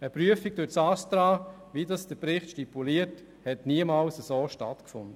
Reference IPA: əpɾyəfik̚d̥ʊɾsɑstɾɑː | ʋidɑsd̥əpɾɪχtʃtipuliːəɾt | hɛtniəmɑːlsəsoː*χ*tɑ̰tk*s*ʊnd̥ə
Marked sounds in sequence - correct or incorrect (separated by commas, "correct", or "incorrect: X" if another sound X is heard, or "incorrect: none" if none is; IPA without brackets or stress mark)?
incorrect: ʃ, incorrect: f